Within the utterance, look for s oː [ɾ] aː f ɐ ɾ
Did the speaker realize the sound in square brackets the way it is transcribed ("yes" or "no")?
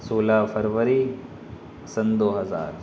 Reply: no